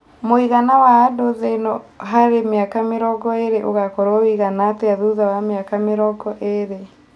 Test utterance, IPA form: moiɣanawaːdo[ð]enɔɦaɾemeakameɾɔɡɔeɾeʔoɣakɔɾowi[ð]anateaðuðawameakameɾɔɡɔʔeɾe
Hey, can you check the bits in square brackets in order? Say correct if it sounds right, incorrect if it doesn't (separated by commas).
correct, incorrect